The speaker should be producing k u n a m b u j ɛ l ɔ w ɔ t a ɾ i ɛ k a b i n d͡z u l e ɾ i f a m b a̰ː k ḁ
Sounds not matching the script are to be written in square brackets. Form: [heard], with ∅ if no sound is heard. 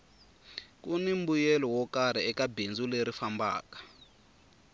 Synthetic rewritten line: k u n [i] m b u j ɛ l ɔ w ɔ [k] a ɾ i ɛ k a b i n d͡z u l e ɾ i f a m b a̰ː k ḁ